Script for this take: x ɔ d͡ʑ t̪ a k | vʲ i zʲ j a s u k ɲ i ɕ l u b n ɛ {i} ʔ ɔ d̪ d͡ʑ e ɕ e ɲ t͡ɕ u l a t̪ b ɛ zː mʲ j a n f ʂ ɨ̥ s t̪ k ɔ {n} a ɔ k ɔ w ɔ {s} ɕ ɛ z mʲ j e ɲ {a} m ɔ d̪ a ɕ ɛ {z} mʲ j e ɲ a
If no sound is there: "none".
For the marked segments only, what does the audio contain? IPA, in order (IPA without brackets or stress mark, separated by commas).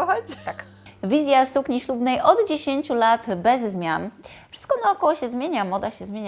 j, n, none, a, z